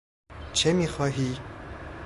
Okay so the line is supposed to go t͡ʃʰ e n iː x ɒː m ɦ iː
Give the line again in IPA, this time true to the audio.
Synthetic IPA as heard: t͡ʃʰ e m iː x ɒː ɦ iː